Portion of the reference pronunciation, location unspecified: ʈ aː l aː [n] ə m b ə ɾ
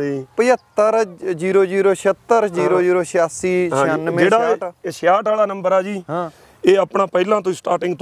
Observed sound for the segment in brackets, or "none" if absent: n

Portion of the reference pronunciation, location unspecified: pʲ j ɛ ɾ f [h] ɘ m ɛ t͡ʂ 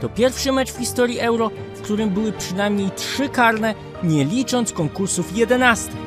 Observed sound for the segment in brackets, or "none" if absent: ʂ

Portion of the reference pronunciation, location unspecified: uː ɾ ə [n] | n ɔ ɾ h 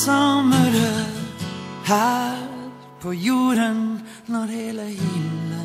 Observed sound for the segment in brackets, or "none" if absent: n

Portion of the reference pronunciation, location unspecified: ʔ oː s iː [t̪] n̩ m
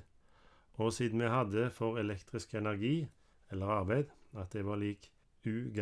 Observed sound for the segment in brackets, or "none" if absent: d̪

